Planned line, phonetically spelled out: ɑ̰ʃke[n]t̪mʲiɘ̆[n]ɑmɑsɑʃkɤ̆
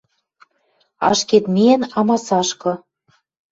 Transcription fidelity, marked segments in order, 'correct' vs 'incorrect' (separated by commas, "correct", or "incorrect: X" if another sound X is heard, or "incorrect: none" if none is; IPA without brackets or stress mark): incorrect: none, correct